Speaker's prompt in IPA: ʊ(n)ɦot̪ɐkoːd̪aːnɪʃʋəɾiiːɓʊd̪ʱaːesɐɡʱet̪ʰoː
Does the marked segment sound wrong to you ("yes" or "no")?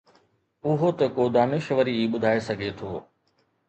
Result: yes